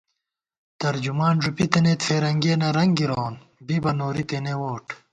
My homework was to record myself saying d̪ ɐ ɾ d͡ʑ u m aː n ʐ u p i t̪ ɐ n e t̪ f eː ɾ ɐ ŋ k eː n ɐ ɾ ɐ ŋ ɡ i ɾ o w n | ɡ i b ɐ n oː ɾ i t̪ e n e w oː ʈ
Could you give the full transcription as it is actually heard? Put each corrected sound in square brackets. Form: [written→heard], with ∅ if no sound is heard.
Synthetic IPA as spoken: [d̪→t̪] ɐ ɾ d͡ʑ u m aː n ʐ u p i t̪ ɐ n e t̪ f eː ɾ ɐ ŋ [k→ɡ] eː n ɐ ɾ ɐ ŋ ɡ i ɾ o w n | [ɡ→b] i b ɐ n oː ɾ i t̪ e n e w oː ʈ